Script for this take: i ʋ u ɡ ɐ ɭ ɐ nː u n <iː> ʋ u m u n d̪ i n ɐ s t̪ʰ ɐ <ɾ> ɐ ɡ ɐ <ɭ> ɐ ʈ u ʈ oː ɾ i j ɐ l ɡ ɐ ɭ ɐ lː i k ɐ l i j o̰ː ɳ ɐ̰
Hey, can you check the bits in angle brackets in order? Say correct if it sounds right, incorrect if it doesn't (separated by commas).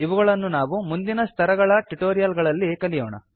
incorrect, correct, correct